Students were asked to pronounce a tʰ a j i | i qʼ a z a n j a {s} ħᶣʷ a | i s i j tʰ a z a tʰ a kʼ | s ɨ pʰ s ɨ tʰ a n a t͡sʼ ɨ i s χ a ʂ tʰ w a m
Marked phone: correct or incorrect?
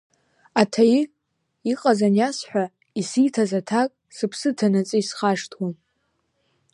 correct